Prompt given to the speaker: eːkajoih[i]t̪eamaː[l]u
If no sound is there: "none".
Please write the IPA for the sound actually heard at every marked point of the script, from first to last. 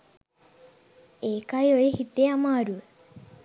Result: i, ɾ

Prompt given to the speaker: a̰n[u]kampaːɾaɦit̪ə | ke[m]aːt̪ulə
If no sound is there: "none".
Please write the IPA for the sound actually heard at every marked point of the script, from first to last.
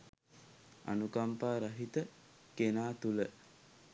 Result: u, n

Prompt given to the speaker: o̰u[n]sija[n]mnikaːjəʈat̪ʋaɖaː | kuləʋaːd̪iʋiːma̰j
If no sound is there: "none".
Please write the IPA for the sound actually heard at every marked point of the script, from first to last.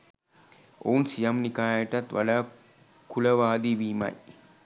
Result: n, none

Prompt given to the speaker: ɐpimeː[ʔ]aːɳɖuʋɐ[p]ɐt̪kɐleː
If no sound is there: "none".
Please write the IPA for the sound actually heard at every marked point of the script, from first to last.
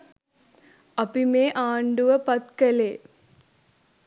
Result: ʔ, p

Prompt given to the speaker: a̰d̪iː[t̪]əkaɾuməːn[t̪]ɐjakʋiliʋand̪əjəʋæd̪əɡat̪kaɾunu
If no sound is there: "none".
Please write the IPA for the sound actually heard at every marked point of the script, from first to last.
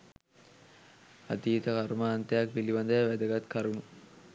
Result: t̪, t̪

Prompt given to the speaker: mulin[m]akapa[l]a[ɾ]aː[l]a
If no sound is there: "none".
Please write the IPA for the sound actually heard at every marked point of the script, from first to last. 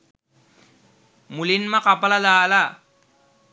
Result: m, l, l, l

